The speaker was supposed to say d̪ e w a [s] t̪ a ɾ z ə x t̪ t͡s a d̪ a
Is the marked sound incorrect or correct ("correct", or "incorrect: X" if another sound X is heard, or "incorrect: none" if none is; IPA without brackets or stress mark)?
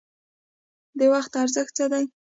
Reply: incorrect: x